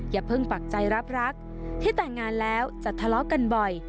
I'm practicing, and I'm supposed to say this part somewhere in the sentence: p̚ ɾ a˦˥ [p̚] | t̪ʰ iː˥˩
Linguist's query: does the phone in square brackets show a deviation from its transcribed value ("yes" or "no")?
yes